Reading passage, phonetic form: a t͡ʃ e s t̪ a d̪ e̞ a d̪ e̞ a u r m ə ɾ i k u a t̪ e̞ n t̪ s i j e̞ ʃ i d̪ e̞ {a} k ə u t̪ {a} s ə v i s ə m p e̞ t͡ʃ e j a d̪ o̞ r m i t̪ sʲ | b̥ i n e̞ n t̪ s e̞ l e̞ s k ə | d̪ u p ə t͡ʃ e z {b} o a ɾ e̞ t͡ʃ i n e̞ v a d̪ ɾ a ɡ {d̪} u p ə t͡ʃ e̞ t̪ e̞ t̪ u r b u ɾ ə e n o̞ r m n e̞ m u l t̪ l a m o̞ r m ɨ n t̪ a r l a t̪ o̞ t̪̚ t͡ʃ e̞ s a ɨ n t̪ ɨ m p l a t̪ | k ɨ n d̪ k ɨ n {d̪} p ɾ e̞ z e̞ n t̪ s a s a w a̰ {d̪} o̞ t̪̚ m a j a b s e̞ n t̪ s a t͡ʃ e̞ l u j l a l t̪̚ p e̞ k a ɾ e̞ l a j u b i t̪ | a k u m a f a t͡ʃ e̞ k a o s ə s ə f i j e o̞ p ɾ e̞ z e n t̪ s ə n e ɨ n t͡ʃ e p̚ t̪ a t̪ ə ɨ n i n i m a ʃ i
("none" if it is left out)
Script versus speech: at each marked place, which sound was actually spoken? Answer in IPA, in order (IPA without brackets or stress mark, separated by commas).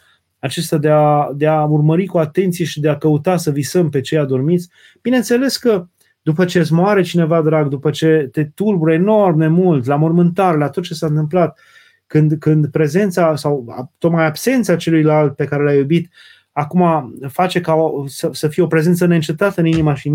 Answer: a, a, m, d̪, d̪, t̪